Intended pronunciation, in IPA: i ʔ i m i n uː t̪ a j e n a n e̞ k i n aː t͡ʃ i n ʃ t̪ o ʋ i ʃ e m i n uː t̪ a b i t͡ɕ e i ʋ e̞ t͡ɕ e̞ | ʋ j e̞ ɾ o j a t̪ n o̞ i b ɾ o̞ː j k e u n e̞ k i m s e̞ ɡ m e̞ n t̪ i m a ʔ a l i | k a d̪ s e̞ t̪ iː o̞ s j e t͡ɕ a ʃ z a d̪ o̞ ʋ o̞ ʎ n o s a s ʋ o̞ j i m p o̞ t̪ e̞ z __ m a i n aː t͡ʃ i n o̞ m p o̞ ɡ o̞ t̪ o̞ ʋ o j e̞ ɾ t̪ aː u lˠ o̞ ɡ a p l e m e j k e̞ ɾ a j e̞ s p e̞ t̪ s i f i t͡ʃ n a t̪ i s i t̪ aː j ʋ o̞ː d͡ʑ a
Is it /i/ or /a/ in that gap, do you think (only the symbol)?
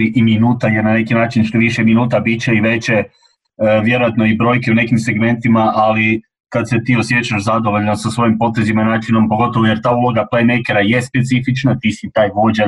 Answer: i